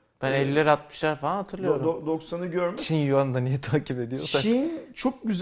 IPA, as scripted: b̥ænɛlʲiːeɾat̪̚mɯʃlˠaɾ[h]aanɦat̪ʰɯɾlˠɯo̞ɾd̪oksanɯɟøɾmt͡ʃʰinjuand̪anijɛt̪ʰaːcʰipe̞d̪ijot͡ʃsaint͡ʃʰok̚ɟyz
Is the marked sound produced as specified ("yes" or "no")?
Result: no